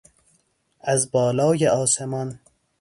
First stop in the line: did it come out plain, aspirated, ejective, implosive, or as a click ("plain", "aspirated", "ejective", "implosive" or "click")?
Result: plain